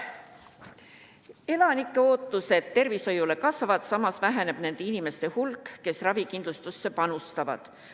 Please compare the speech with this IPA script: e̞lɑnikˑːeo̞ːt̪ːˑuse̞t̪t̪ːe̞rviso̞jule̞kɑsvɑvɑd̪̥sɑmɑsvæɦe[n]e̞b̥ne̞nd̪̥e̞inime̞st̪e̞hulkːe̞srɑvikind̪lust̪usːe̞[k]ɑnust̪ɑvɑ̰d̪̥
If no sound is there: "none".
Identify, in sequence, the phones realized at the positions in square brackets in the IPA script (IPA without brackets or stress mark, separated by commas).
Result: n, p